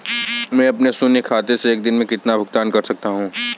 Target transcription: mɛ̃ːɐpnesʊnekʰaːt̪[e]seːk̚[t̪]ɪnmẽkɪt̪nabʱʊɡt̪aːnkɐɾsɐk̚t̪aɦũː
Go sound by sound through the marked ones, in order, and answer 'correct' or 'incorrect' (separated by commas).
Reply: correct, incorrect